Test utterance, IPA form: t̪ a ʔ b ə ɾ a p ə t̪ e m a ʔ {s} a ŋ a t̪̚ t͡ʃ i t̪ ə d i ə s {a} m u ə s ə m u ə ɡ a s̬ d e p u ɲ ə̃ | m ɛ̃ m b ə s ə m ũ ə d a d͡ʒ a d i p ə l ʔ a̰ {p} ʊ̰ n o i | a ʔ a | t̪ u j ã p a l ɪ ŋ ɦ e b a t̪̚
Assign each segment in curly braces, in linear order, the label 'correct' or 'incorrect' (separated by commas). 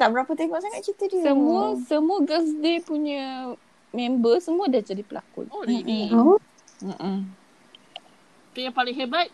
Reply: correct, incorrect, incorrect